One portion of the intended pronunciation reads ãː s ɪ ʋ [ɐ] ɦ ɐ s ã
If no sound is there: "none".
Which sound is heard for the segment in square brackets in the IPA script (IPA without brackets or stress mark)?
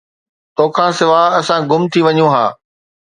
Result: a